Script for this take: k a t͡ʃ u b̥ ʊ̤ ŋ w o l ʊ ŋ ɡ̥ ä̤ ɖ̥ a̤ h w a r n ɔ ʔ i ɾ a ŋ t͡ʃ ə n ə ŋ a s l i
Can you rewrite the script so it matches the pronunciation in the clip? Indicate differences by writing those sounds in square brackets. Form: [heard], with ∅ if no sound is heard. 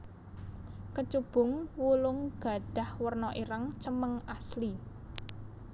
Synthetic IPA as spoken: k [ə] t͡ʃ u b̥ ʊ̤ ŋ w [u] l ʊ ŋ ɡ̥ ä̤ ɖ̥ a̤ h w [ə] r n ɔ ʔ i ɾ a ŋ t͡ʃ ə [m] ə ŋ a s l i